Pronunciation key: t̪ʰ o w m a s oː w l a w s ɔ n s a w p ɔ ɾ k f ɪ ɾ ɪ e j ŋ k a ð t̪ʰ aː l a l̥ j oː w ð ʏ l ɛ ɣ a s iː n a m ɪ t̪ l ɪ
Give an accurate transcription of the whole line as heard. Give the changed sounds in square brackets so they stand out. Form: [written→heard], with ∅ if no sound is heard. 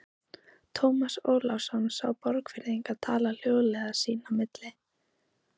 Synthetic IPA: t̪ʰ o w m a s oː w l a w s ɔ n s a w p ɔ ɾ k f ɪ ɾ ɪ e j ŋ k a ð t̪ʰ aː l a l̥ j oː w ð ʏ l ɛ ɣ a s iː n a m ɪ t̪ l ɪ